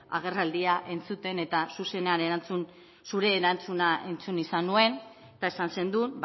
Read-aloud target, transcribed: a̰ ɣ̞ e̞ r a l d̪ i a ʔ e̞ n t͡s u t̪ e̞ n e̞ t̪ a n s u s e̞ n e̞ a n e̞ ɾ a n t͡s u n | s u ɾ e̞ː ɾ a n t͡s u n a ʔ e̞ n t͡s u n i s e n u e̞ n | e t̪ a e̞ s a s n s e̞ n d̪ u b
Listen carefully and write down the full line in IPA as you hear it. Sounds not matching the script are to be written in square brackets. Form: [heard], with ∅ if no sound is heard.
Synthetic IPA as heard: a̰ ɣ̞ e̞ r a l d̪ i a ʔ e̞ n t͡s u t̪ e̞ n e̞ t̪ a [∅] s u s e̞ n e̞ a n e̞ ɾ a n t͡s u n | s u ɾ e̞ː ɾ a n t͡s u n a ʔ e̞ n t͡s u n i s [a] n u e̞ n | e t̪ a e̞ s a [∅] n s e̞ n d̪ u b